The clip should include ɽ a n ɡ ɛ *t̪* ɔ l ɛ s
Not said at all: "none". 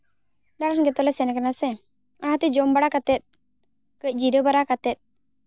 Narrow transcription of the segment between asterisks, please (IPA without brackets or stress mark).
t̪